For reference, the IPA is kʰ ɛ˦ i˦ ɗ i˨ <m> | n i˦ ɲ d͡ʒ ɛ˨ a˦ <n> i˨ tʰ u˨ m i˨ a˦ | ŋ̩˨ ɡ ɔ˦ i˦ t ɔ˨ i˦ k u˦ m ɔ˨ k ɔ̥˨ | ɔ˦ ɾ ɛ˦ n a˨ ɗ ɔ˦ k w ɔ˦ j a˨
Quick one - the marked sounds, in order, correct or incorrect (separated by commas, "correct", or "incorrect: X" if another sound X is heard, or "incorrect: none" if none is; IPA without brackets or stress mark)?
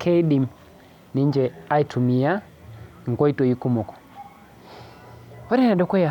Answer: correct, incorrect: none